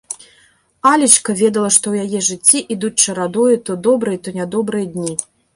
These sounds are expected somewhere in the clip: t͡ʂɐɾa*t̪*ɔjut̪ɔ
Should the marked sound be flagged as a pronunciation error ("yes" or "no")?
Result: yes